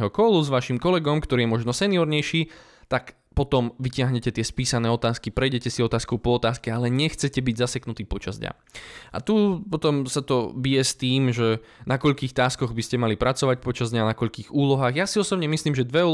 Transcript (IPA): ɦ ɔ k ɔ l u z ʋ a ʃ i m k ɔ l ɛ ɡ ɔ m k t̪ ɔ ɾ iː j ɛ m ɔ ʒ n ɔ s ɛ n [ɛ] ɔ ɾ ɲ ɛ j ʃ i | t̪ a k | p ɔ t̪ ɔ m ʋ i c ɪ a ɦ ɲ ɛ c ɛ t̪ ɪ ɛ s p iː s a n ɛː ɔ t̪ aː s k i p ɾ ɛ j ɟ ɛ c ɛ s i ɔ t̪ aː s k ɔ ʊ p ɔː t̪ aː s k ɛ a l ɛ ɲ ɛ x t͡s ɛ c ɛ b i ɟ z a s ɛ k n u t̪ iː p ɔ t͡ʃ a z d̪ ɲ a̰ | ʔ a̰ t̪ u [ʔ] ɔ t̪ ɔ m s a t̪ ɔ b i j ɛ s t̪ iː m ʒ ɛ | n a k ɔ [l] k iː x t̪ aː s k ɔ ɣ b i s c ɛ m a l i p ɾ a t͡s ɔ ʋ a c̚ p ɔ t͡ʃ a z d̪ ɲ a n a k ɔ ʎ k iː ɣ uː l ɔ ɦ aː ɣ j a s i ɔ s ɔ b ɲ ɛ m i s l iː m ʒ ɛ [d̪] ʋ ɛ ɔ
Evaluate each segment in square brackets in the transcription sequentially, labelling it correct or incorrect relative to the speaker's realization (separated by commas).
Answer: incorrect, incorrect, incorrect, correct